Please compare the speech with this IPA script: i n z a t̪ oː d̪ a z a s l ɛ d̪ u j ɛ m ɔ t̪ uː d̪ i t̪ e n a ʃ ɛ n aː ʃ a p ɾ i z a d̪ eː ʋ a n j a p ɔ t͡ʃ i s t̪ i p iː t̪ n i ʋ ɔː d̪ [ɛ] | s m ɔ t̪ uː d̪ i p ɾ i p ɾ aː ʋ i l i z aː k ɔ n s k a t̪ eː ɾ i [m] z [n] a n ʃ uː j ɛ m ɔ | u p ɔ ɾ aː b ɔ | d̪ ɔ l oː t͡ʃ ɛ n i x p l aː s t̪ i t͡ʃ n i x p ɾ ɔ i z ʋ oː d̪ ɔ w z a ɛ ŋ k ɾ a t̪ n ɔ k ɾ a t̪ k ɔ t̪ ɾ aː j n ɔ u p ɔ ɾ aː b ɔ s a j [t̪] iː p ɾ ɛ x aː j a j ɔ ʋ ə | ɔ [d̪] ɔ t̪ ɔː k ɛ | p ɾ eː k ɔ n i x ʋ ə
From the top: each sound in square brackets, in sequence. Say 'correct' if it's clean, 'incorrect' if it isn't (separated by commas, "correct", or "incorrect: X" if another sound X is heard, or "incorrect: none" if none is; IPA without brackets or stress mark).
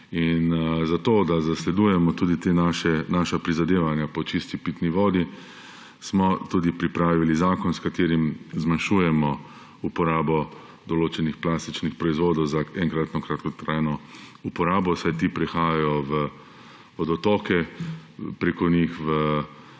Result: incorrect: i, correct, incorrect: m, correct, correct